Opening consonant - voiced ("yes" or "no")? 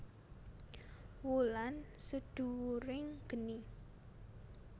yes